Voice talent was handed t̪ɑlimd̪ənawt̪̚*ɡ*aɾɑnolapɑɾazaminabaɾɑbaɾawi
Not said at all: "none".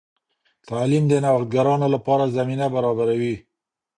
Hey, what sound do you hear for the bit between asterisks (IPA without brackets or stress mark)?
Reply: ɡ